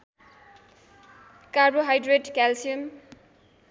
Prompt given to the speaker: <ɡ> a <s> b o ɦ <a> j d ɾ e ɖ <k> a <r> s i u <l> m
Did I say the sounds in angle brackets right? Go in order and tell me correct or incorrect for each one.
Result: incorrect: k, incorrect: none, correct, correct, incorrect: l, incorrect: none

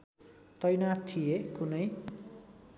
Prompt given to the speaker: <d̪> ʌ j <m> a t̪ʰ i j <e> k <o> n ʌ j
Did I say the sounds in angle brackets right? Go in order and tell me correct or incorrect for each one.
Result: incorrect: t̪, incorrect: n, correct, incorrect: u

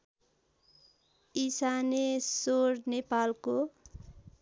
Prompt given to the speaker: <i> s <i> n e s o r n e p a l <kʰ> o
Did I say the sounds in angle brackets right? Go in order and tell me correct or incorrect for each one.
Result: correct, incorrect: a, incorrect: k

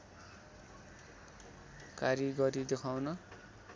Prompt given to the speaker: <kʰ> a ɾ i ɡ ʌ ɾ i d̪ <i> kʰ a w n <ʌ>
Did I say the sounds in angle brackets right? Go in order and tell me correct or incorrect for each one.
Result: incorrect: k, incorrect: e, correct

